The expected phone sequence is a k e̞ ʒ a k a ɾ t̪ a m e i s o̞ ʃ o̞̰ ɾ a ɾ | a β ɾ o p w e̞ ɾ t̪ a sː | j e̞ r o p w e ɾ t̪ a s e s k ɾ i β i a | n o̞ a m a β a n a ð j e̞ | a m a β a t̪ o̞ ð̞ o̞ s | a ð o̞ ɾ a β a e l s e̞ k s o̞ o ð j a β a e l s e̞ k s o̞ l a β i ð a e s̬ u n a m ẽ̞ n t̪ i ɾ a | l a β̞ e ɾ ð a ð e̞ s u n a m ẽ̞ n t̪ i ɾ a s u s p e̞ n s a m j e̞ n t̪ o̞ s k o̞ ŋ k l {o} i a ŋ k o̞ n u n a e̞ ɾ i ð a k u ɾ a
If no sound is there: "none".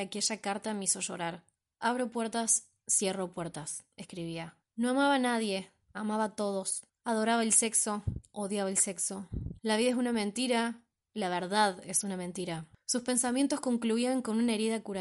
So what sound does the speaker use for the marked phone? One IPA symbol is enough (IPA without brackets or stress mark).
u